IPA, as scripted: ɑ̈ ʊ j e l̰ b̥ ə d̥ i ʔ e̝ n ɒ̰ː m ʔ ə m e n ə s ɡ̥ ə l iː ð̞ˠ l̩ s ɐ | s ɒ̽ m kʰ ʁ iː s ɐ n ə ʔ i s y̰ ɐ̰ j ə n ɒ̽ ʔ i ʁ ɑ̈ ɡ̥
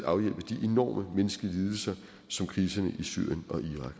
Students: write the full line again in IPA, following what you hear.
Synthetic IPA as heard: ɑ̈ ʊ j e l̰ b̥ ə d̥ i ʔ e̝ n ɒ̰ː m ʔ ə m e n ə s ɡ̥ ə l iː ð̞ˠ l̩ s ɐ | s ɒ̽ m kʰ ʁ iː s ɐ n ə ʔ i s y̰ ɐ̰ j ə n ɒ̽ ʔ i ʁ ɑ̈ ɡ̥